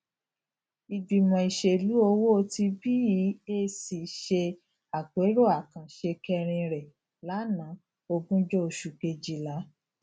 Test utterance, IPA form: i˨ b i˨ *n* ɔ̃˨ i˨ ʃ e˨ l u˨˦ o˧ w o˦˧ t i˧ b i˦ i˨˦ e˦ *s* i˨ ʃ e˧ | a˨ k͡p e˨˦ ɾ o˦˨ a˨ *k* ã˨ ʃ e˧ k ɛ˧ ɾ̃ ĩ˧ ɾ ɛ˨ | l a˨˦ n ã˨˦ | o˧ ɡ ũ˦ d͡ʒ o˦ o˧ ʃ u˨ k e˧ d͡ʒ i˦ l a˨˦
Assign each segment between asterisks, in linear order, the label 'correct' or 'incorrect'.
incorrect, correct, correct

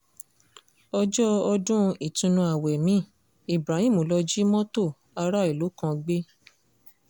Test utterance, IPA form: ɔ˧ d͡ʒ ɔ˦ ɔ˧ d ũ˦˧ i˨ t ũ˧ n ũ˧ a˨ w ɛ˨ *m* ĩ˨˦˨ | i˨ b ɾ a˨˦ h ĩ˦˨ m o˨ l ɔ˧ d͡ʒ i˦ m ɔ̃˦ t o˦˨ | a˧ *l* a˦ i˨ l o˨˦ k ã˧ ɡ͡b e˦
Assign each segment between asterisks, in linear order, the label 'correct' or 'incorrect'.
correct, incorrect

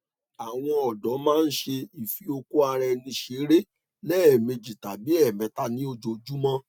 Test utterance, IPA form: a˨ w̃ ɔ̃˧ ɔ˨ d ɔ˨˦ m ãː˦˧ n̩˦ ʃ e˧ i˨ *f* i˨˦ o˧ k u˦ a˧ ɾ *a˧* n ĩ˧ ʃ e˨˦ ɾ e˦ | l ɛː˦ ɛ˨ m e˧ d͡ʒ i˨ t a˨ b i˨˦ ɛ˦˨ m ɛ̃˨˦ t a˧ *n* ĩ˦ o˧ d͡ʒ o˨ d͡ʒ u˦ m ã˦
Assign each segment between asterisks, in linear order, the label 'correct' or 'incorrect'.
correct, incorrect, correct

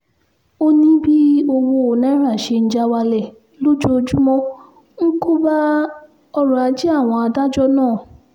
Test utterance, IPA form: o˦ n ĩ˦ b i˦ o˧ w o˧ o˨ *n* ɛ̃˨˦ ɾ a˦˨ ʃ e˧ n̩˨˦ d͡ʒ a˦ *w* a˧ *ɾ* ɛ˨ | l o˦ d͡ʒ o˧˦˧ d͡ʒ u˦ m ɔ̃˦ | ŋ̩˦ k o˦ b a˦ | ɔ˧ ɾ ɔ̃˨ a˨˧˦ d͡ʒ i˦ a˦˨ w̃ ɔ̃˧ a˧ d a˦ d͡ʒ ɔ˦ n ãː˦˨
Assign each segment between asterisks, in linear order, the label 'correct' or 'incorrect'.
correct, correct, incorrect

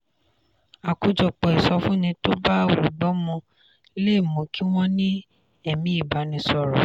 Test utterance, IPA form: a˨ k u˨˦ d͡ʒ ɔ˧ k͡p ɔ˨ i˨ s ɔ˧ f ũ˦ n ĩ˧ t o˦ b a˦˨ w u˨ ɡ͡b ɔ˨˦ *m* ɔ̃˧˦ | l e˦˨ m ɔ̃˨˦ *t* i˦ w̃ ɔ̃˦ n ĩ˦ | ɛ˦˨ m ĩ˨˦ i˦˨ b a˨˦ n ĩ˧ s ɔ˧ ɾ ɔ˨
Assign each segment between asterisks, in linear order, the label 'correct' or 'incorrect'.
correct, incorrect

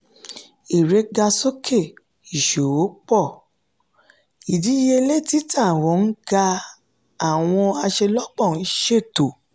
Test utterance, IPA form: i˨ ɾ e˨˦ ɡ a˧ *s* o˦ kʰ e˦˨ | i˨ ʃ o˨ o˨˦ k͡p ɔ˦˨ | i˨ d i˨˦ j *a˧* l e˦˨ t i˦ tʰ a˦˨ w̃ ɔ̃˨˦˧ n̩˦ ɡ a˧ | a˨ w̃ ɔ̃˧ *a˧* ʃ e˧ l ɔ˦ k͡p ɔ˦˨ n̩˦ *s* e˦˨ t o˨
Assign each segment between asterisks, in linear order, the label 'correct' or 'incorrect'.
correct, incorrect, correct, incorrect

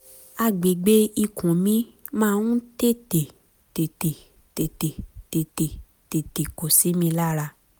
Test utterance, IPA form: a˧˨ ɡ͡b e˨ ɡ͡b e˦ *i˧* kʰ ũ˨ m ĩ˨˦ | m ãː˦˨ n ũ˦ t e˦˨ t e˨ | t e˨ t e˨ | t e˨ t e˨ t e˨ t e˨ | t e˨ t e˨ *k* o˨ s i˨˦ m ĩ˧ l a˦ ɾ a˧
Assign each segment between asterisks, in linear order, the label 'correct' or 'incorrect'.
correct, correct

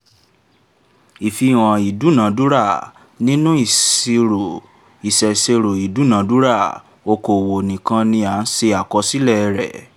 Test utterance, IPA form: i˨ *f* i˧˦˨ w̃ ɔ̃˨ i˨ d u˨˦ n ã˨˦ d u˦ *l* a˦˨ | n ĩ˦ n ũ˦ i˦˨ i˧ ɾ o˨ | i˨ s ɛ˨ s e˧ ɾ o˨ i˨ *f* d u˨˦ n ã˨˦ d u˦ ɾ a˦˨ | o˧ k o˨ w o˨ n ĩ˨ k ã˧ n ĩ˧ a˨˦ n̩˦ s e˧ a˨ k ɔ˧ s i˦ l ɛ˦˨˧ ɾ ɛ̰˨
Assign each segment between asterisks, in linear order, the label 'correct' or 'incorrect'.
correct, incorrect, incorrect

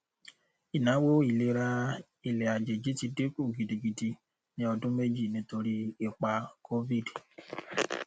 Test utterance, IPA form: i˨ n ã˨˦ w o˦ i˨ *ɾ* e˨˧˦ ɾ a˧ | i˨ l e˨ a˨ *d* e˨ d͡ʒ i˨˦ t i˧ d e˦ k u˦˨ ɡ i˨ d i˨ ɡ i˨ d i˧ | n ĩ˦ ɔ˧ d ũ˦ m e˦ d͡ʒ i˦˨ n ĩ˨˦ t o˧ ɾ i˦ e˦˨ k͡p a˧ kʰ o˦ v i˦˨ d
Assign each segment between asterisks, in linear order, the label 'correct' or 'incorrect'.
incorrect, incorrect

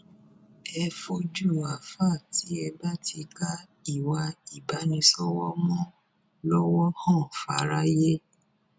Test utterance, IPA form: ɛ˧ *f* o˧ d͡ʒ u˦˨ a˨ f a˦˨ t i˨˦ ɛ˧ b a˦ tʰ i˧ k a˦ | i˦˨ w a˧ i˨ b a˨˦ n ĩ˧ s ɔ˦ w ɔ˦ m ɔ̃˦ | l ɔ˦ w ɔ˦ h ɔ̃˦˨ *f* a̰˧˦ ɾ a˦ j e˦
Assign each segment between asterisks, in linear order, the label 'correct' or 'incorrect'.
correct, correct

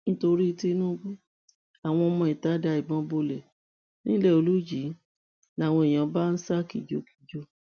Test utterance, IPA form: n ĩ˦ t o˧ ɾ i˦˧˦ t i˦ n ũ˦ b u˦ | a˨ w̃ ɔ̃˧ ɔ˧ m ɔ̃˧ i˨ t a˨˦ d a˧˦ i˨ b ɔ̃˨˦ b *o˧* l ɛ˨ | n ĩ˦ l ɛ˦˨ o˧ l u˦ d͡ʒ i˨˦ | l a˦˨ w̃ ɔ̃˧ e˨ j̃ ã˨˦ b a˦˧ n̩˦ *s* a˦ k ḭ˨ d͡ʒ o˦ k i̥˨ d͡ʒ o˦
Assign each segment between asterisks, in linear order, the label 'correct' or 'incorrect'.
correct, correct

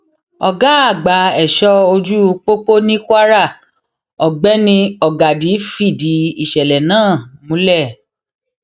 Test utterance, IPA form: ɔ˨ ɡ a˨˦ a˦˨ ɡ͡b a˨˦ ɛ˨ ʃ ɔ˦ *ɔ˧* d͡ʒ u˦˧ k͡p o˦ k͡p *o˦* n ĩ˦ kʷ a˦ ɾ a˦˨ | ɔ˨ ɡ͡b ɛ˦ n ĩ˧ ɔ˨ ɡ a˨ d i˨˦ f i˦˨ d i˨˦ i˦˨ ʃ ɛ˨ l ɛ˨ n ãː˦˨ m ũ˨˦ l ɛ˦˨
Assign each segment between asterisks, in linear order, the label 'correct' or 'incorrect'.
incorrect, correct

